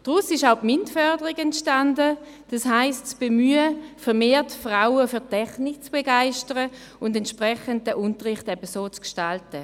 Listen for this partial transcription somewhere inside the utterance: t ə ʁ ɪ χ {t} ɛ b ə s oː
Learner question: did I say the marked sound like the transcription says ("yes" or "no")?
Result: yes